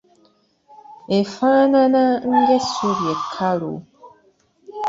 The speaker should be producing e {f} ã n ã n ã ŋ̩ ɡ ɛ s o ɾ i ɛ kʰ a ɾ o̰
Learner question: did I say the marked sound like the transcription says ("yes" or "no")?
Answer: yes